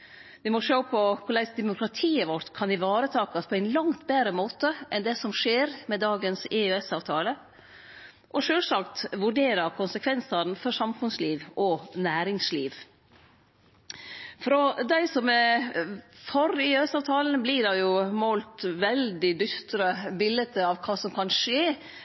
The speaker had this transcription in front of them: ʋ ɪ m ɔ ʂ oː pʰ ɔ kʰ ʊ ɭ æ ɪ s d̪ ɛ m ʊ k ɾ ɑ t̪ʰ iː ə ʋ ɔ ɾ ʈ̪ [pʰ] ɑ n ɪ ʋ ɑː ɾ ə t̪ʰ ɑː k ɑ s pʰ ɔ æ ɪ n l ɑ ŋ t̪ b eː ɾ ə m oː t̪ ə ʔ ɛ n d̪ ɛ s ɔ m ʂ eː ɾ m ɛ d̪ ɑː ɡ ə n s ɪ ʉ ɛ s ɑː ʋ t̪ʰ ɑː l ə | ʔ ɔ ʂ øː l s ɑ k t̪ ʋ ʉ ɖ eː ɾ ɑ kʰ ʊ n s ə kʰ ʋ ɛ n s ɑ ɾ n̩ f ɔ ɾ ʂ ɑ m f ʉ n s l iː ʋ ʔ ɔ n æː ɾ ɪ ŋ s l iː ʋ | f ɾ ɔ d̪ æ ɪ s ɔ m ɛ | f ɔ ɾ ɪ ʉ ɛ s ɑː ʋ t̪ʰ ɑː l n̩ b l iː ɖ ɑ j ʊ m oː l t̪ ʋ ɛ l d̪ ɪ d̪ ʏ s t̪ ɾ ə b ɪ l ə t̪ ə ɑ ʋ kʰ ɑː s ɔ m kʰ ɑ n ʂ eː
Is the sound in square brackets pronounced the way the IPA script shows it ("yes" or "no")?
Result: no